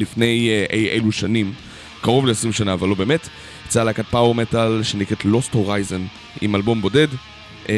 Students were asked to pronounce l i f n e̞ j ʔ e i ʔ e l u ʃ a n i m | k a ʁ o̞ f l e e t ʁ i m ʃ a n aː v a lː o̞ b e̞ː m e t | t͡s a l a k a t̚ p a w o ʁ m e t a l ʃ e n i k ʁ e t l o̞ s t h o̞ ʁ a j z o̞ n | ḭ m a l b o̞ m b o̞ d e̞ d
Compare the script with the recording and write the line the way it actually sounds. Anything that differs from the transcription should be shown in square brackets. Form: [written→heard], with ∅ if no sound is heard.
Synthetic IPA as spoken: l i f n e̞ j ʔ e [i→j] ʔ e l u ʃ a n i m | k a ʁ o̞ [f→v] l e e [t→s] ʁ i m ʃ a n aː v a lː o̞ b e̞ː m e t | t͡s a l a k a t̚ p a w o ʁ m e t a l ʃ e n i k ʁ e t l o̞ s t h o̞ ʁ a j z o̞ n | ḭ m a l b o̞ m b o̞ d e̞ d